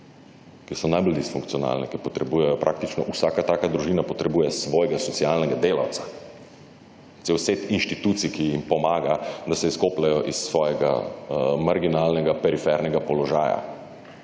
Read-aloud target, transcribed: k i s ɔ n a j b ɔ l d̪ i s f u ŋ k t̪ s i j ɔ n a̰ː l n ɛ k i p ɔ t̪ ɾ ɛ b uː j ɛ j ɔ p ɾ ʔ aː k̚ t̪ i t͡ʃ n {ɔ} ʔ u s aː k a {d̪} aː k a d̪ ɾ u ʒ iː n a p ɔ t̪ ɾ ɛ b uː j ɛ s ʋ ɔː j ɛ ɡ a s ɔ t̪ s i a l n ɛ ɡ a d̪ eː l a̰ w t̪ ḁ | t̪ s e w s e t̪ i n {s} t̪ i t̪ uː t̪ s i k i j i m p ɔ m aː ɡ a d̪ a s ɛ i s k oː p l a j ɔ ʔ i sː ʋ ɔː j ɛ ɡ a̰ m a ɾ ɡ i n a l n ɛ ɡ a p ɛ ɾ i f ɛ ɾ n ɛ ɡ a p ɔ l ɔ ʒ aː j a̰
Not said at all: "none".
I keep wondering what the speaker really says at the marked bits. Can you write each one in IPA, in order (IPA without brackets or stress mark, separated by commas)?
ɔ, t̪, ʃ